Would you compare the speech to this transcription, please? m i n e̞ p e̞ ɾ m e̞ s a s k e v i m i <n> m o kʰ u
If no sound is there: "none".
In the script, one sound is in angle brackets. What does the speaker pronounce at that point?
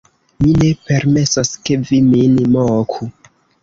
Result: n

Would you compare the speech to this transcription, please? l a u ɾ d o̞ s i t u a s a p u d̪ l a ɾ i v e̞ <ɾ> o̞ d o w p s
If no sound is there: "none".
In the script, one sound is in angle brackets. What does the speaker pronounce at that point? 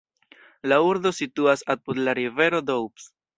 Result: ɾ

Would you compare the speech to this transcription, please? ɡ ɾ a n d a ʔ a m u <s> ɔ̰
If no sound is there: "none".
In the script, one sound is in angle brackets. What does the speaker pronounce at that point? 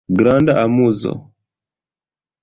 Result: z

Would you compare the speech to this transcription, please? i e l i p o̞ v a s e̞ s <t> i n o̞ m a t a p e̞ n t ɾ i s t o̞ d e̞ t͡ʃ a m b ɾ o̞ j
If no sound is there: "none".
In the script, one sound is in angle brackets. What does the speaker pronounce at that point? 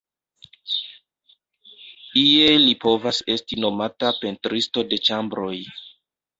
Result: t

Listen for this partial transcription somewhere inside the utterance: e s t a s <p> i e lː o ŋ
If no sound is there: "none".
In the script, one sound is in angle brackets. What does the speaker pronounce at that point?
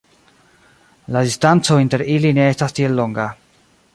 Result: t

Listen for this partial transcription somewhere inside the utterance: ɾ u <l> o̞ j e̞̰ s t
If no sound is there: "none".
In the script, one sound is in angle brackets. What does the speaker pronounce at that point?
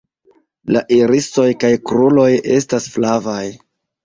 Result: l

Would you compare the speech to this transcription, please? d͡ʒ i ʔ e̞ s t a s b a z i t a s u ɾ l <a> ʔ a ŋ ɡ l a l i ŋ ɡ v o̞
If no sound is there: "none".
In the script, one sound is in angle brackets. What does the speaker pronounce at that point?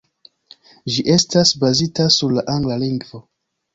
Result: a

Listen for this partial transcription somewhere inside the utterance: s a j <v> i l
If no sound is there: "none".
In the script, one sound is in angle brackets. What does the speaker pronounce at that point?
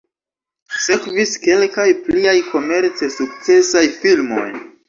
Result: f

